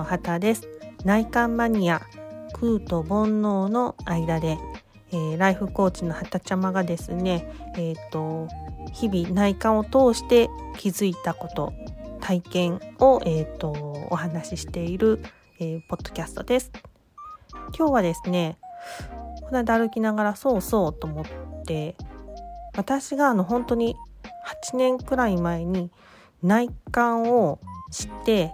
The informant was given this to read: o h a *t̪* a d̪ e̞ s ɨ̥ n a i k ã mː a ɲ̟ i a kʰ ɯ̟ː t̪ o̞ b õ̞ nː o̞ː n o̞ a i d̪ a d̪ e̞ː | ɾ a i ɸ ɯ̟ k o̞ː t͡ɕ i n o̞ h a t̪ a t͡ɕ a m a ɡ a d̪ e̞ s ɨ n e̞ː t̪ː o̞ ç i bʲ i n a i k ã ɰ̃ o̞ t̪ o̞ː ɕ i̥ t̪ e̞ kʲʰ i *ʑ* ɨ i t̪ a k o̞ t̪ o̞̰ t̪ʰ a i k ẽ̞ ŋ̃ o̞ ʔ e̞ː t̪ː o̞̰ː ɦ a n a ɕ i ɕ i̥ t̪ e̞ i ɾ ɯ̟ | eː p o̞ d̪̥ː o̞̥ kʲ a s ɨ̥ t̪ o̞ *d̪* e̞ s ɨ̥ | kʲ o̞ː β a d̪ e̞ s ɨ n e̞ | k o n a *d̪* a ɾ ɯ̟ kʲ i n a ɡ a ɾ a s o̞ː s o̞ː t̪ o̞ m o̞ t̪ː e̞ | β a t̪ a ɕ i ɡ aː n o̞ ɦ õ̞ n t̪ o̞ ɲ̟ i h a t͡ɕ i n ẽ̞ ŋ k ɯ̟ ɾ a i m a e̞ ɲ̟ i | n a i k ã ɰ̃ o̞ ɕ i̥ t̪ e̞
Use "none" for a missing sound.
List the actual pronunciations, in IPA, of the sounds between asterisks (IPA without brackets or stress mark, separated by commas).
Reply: t̪, z, d̪, d̪